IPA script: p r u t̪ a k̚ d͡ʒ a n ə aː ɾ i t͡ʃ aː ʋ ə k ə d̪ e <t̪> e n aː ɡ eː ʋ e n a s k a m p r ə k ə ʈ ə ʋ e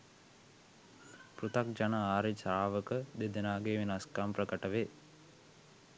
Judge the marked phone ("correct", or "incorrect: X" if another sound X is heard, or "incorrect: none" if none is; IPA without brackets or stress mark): incorrect: d̪